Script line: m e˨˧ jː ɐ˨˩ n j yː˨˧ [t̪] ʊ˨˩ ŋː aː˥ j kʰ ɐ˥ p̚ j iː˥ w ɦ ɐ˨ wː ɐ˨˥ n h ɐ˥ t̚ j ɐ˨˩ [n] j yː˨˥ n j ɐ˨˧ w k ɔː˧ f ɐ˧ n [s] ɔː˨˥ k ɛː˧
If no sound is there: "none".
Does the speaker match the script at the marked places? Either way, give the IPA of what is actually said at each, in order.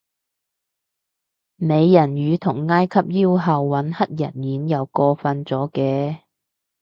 t̪ʰ, n, t͡s

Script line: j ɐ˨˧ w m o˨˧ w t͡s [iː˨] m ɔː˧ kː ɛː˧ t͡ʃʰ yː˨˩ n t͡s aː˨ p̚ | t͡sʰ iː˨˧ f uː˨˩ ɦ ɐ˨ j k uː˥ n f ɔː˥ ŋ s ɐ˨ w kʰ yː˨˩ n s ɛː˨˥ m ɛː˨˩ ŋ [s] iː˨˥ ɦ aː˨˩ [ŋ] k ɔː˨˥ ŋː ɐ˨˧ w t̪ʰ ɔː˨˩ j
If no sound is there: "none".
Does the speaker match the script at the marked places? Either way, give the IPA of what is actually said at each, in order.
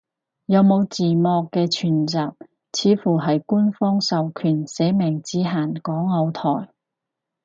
iː˨, t͡s, n

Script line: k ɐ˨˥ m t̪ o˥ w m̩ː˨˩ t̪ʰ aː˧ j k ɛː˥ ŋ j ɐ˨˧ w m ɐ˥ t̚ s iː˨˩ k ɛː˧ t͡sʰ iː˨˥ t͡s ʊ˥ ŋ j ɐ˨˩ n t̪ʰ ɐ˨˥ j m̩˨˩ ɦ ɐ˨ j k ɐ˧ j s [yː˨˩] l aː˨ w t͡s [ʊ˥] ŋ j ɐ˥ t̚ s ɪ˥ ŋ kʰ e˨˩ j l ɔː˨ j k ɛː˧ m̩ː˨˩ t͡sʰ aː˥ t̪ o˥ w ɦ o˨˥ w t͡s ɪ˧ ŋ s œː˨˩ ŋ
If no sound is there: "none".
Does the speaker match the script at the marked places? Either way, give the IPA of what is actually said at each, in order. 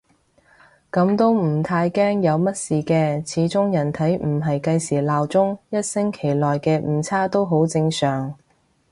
iː˨˩, ʊ˥

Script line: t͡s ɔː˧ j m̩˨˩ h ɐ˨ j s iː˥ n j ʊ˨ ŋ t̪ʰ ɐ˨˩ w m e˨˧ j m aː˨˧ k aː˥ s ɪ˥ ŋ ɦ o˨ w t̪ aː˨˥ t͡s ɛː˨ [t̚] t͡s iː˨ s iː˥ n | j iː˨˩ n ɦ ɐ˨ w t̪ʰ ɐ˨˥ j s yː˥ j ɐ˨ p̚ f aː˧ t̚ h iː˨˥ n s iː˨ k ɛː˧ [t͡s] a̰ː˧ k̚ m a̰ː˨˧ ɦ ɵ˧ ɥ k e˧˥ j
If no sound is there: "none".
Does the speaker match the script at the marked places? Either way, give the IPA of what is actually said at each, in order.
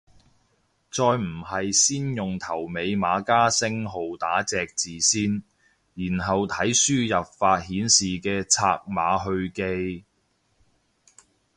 k̚, t͡sʰ

